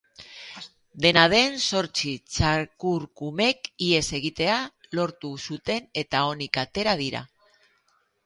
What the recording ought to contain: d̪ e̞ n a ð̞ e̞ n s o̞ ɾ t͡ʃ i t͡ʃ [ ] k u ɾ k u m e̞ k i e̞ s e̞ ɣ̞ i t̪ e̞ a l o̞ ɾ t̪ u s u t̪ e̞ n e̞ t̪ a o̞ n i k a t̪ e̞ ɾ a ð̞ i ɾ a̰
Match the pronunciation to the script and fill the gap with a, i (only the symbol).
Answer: a